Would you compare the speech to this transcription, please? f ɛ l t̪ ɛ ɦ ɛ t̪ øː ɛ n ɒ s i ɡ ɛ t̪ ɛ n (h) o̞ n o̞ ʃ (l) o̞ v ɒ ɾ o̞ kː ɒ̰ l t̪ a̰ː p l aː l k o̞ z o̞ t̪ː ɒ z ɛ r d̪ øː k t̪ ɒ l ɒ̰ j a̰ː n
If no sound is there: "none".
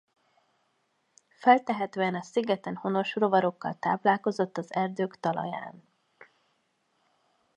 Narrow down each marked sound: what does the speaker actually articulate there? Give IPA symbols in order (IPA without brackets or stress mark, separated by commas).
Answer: h, r